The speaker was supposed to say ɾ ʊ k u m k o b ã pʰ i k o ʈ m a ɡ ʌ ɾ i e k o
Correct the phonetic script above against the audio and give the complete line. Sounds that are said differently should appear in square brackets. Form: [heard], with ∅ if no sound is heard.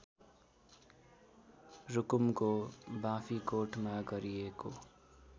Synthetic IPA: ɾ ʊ k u m k o b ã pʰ i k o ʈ m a ɡ ʌ ɾ i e k o